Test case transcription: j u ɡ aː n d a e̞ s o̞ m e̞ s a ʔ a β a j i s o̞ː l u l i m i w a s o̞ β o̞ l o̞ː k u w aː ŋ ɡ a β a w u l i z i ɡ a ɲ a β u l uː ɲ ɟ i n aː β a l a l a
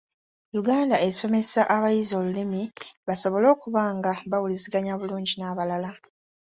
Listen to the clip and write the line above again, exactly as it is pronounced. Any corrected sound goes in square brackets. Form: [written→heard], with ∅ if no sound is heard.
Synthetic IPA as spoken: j u ɡ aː n d a e̞ s o̞ m e̞ s a ʔ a β a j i [s→z] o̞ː l u l i m i [w→β] a s o̞ β o̞ l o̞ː k u [w→β] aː ŋ ɡ a β a w u l i z i ɡ a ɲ a β u l uː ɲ ɟ i n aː β a l a l a